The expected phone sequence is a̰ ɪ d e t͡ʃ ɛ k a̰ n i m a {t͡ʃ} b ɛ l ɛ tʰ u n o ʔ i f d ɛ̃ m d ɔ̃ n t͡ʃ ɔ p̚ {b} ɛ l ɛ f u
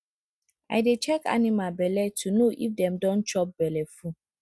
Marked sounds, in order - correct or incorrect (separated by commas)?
incorrect, correct